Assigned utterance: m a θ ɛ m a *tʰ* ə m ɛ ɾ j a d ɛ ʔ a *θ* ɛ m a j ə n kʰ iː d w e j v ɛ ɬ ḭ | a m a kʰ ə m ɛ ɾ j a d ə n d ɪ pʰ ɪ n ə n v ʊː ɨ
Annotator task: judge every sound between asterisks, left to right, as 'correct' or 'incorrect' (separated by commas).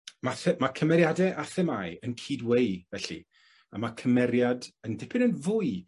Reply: incorrect, correct